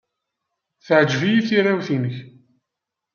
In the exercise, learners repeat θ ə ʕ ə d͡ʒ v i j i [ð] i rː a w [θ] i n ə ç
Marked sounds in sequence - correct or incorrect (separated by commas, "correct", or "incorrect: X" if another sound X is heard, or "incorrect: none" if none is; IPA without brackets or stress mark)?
incorrect: θ, correct